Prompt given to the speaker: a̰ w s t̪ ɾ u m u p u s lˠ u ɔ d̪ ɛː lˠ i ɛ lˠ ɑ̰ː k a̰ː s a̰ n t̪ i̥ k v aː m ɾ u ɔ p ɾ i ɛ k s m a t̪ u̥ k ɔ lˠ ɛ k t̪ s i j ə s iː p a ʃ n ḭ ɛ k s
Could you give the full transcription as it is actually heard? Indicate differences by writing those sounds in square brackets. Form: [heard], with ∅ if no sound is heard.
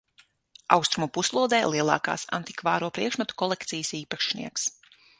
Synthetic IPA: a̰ w s t̪ ɾ u m u p u s lˠ u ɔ d̪ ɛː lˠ i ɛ lˠ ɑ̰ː k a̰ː s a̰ n t̪ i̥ k v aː [∅] ɾ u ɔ p ɾ i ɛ k [ʃ] m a t̪ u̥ k ɔ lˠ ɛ k t̪ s i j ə s iː p a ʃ n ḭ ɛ k s